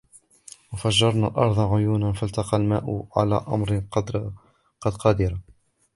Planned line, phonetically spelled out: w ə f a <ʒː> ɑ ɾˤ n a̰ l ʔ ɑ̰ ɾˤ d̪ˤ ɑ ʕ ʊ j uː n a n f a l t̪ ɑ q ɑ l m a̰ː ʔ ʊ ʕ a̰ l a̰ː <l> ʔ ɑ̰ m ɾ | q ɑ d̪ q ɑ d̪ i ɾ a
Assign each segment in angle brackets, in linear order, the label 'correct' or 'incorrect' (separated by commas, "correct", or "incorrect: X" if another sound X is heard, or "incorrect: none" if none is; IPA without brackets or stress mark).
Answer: correct, incorrect: none